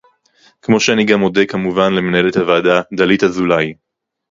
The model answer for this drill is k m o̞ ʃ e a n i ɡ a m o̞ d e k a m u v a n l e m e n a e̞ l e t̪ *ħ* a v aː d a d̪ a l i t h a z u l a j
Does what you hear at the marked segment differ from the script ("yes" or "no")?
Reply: yes